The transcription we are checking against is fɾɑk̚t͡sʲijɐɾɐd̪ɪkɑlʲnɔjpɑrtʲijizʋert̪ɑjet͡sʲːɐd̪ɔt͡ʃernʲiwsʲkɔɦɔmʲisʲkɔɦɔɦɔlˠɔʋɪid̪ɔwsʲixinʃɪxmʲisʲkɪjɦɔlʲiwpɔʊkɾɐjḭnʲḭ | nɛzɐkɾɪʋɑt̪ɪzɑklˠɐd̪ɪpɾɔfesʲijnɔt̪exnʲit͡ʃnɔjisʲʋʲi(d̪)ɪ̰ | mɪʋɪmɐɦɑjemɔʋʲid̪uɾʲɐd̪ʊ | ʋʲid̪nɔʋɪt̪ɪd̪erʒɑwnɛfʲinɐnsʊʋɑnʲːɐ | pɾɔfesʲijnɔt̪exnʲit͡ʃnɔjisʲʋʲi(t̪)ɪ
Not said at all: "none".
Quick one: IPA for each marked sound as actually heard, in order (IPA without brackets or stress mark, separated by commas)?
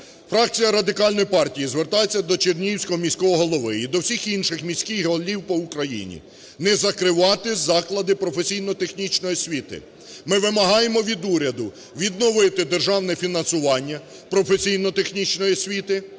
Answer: t̪, t̪